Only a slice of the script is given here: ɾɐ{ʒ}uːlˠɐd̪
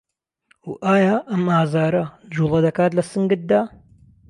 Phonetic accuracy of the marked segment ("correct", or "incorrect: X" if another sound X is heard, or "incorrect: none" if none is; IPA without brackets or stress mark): incorrect: d͡ʒ